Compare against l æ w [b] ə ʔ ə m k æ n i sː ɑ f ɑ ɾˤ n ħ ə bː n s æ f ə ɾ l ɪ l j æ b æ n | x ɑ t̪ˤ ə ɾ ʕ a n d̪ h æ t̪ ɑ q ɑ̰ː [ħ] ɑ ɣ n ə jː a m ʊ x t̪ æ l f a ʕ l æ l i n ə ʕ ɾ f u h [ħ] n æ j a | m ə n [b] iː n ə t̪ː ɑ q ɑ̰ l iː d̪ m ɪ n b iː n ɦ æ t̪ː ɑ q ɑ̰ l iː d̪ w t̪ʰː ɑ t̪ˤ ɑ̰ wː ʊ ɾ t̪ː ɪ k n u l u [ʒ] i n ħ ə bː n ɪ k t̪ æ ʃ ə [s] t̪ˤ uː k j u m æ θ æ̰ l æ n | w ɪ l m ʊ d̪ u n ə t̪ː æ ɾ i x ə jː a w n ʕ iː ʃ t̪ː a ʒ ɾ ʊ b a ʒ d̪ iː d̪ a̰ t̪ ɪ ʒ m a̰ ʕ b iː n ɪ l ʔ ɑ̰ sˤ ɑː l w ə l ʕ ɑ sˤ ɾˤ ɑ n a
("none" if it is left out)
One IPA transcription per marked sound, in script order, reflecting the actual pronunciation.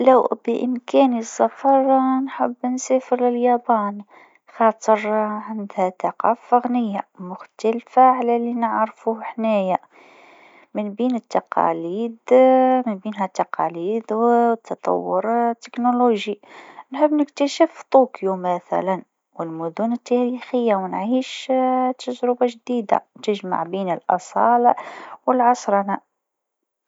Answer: b, f, ħ, b, ʒ, f

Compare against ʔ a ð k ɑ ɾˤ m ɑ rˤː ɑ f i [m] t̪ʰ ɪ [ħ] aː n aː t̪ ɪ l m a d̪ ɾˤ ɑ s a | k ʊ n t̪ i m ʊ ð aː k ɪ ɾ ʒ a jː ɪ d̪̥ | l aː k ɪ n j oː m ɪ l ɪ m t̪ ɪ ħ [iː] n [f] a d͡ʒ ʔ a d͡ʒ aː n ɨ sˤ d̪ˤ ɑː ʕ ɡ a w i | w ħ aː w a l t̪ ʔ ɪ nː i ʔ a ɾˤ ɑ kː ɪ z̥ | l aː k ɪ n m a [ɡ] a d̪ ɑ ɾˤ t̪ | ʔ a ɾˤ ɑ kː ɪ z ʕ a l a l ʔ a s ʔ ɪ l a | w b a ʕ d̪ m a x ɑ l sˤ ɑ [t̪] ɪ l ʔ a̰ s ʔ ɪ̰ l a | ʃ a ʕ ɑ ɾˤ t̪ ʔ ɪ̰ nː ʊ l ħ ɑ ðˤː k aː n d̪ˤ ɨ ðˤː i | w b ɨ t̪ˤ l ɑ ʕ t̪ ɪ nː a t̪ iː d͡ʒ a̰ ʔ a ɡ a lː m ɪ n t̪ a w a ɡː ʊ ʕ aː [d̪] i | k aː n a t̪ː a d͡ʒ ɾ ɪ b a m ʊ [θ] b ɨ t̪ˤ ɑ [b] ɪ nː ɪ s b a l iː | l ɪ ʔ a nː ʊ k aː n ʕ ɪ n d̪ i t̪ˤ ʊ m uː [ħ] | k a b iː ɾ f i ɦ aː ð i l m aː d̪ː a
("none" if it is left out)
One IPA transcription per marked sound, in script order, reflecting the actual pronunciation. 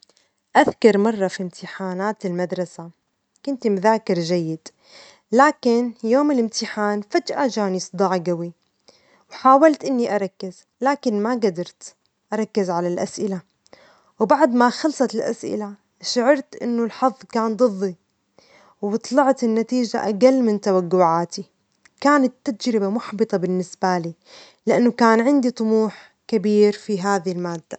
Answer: m, ħ, aː, f, ɡ, t̪, t̪, ħ, b, ħ

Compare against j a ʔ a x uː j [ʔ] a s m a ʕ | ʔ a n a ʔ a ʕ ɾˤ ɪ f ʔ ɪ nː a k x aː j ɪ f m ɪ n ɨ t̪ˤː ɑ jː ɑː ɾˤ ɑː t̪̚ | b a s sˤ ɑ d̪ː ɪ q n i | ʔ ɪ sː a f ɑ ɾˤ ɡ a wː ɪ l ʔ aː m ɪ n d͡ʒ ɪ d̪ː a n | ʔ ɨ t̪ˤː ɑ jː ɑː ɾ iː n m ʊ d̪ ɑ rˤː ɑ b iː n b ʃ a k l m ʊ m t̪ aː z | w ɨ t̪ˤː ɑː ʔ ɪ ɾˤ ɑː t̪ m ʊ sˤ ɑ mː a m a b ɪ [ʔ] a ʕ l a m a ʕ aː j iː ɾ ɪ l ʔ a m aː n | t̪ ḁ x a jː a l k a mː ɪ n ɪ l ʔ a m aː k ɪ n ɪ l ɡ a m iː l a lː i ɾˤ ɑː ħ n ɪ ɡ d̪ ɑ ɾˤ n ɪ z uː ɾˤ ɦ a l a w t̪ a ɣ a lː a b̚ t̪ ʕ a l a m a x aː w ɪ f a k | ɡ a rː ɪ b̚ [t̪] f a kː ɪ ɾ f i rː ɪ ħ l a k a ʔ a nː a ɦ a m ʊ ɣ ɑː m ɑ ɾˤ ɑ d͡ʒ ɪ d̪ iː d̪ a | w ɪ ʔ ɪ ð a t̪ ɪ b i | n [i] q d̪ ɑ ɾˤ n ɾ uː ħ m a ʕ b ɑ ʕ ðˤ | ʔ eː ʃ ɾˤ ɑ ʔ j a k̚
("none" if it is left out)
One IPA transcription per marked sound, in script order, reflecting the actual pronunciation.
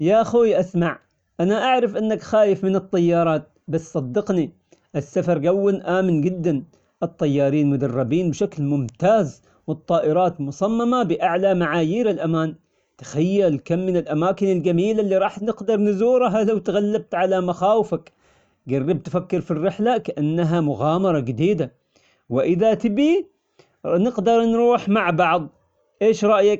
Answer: ʔ, ʔ, t̪, ɪ

